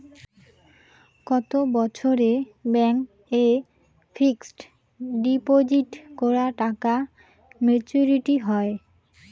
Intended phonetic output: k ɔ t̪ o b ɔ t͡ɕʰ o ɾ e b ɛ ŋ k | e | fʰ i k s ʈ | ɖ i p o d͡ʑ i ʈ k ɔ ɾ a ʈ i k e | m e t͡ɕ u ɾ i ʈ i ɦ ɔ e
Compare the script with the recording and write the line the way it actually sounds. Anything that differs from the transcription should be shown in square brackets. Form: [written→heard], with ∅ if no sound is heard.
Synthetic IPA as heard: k ɔ t̪ o b ɔ t͡ɕʰ o ɾ e b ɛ ŋ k | e | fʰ i k s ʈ | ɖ i p o d͡ʑ i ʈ k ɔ ɾ a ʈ [i→a] k [e→a] | m e t͡ɕ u ɾ i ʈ i ɦ ɔ e